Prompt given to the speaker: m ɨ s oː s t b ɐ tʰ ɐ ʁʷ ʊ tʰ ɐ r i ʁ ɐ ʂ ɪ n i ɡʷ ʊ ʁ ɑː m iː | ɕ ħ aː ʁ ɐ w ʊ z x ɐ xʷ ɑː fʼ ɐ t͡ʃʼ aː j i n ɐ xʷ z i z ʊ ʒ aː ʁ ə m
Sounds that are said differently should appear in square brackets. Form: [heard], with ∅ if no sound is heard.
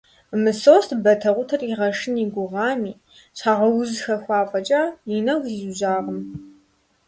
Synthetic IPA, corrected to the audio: m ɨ s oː s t b ɐ tʰ ɐ ʁʷ ʊ tʰ ɐ r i ʁ ɐ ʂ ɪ n i ɡʷ ʊ ʁ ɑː m iː | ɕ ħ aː ʁ ɐ w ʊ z x ɐ xʷ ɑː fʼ ɐ t͡ʃʼ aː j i n ɐ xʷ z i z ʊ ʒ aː ʁ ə m